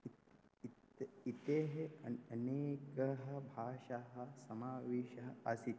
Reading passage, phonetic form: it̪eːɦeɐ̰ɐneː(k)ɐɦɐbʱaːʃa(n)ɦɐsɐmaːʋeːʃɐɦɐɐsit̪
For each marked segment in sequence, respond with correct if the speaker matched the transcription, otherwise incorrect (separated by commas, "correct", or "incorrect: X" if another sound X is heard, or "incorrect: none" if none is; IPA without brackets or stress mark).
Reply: correct, incorrect: none